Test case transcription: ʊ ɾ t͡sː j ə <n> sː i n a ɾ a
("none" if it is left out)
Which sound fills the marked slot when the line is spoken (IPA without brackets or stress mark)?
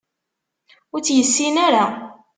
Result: none